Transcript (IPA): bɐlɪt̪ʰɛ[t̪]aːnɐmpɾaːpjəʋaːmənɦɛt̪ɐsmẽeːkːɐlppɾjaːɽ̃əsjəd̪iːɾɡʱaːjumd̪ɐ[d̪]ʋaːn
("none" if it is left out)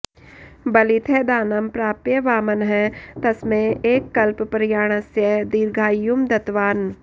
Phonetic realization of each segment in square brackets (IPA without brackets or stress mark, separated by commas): d̪, t̪